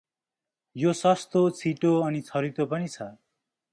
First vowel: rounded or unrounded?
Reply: rounded